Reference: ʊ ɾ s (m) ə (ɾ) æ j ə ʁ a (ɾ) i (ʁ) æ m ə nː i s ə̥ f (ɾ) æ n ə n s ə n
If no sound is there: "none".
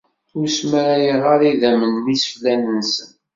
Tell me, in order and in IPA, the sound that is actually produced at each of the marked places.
m, ɾ, ɾ, ð, l

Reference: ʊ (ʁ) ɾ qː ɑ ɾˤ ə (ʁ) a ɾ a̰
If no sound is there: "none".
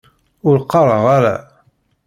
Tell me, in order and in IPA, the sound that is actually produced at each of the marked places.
none, ʁ

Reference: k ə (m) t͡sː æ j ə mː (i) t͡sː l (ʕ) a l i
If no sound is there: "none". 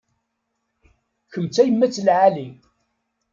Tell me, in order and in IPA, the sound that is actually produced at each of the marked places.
m, æ, ʕ

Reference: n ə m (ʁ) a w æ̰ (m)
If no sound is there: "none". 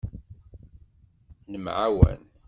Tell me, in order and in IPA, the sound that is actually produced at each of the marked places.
ʕ, n

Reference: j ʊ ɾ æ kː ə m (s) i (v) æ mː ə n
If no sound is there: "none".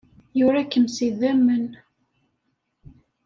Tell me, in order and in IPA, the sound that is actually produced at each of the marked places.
s, ð

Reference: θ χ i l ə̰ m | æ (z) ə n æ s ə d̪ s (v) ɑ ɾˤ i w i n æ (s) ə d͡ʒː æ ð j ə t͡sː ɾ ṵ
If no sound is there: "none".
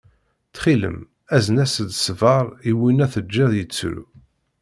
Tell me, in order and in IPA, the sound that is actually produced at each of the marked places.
z, v, θ

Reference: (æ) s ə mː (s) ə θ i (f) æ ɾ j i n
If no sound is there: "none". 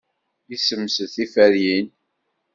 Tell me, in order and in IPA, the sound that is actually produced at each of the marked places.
i, s, f

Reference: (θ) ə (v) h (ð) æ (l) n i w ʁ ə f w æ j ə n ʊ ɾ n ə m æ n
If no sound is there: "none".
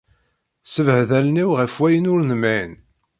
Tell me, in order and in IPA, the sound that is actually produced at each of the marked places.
s, v, ð, l

